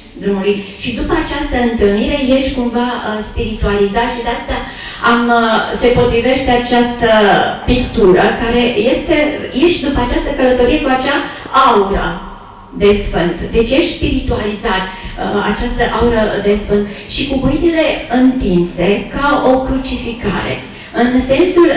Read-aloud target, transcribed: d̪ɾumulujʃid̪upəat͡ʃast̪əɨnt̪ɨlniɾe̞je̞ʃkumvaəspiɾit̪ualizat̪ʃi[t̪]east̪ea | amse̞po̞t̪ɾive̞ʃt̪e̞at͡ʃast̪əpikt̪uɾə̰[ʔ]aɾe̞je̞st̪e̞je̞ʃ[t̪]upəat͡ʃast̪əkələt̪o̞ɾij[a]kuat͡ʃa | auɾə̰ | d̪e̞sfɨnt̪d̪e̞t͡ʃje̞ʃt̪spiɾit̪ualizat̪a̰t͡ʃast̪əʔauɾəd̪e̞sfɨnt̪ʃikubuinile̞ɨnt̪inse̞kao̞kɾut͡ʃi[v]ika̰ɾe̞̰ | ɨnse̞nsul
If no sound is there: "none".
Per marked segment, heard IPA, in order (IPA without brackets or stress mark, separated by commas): d̪, k, d̪, e, f